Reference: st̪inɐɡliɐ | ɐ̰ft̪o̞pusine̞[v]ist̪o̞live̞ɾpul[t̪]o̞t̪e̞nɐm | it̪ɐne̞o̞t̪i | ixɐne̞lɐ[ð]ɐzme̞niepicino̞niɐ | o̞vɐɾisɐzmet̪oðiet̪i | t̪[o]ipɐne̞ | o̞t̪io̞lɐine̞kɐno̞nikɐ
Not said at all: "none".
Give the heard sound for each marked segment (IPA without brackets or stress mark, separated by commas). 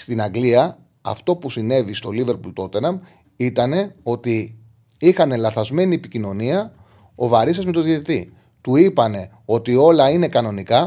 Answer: v, t̪, θ, u